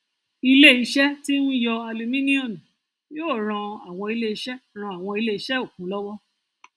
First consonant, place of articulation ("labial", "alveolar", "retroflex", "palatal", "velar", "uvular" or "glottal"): alveolar